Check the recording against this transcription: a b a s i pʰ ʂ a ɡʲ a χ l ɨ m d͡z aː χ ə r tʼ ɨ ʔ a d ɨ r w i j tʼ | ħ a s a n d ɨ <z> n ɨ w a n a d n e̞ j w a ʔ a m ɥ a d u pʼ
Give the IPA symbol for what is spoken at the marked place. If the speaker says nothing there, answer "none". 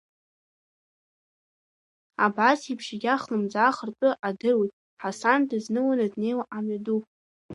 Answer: z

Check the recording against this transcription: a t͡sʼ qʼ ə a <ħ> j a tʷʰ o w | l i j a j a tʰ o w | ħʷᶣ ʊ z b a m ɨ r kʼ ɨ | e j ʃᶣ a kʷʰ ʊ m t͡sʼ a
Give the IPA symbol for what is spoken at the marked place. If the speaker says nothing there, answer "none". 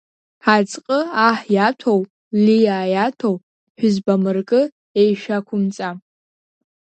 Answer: ħ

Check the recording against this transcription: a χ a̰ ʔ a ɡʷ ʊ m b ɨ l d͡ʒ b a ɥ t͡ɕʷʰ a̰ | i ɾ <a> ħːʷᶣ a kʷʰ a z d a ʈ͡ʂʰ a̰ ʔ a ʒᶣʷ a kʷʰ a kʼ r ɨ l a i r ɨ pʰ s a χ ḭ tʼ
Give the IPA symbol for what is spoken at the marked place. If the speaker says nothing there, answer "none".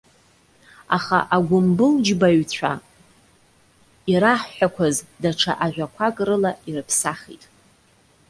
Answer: a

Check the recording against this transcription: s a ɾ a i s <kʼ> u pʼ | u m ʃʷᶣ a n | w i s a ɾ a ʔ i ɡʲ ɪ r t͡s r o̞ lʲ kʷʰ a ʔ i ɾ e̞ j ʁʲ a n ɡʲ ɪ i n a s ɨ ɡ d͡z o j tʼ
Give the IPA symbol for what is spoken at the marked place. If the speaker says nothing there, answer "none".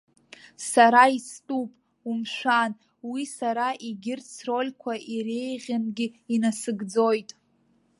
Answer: tʼ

